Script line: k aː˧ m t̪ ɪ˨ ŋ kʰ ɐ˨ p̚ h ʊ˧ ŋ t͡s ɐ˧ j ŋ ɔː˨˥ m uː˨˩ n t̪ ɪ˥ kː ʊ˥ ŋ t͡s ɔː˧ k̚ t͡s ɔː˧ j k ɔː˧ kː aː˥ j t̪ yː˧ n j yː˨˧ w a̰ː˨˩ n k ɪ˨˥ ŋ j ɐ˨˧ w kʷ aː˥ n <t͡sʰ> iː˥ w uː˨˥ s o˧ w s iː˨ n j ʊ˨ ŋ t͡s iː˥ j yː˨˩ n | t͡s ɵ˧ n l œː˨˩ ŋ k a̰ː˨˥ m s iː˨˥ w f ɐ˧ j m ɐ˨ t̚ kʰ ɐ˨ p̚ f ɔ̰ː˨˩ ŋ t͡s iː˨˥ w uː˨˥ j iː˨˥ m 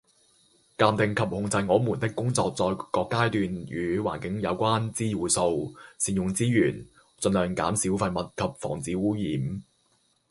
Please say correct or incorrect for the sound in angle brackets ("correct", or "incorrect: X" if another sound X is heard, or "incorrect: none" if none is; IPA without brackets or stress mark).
incorrect: t͡s